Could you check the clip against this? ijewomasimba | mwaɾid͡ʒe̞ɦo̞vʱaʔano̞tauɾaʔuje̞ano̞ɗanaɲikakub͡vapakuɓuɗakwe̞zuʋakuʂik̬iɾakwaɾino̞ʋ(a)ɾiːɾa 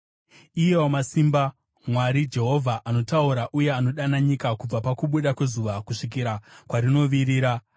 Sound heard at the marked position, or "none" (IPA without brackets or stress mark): i